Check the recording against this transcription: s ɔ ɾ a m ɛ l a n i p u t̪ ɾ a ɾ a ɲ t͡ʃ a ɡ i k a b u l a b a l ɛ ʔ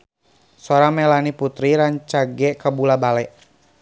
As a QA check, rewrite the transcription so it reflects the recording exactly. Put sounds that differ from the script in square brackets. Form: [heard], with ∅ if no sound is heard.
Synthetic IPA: s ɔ ɾ a m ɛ l a n i p u t̪ ɾ [i] ɾ a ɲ t͡ʃ a ɡ [ɛ] k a b u l a b a l ɛ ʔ

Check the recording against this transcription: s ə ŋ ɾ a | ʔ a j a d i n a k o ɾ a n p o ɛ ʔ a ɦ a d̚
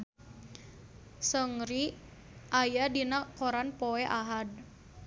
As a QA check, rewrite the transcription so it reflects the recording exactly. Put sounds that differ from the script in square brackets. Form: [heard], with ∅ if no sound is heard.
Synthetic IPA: s ə ŋ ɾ [i] | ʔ a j a d i n a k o ɾ a n p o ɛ ʔ a ɦ a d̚

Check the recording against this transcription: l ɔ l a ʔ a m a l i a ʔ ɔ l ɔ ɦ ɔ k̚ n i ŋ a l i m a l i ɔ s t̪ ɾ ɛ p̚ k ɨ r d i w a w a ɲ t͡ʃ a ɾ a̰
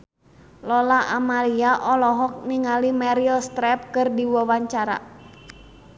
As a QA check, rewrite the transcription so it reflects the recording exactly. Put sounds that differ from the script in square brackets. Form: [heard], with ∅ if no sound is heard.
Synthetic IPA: l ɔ l a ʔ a m a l i a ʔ ɔ l ɔ ɦ ɔ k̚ n i ŋ a l i m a [ɾ] i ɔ s t̪ ɾ ɛ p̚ k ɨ r d i w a w a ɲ t͡ʃ a ɾ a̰

